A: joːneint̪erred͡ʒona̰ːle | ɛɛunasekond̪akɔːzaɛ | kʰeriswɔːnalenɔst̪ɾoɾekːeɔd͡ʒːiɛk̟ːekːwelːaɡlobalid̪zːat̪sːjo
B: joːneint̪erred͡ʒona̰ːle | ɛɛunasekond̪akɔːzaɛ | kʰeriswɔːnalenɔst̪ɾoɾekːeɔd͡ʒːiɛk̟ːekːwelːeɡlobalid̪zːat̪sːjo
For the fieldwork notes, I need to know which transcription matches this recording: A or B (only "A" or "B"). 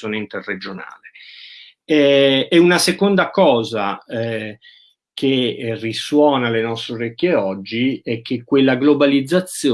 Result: A